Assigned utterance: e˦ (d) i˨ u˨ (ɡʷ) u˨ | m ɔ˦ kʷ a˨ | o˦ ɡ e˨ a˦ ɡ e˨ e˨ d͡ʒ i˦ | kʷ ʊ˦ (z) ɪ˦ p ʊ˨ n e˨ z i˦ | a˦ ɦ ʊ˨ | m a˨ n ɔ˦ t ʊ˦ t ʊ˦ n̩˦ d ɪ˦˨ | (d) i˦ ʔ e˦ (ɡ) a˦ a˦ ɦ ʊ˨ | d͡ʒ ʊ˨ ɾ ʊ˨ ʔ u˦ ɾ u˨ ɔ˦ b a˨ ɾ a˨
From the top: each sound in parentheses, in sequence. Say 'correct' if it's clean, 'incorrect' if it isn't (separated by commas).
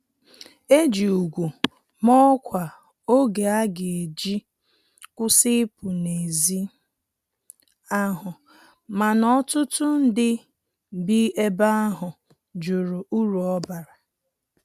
incorrect, correct, incorrect, incorrect, incorrect